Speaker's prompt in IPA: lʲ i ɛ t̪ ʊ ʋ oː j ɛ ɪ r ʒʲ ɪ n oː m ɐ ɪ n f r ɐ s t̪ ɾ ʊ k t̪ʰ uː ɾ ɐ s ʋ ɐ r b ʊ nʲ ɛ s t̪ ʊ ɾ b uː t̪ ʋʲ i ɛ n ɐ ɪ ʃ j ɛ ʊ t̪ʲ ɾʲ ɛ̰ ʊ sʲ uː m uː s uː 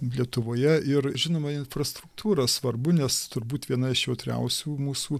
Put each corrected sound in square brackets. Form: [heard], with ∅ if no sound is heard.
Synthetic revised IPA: lʲ i ɛ t̪ ʊ ʋ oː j ɛ ɪ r ʒʲ ɪ n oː m ɐ ɪ n f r ɐ s t̪ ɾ ʊ k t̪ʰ uː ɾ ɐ s ʋ ɐ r b ʊ nʲ ɛ s t̪ ʊ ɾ b uː t̪ ʋʲ i ɛ n ɐ ɪ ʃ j ɛ ʊ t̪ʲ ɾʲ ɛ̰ ʊ sʲ uː m uː s uː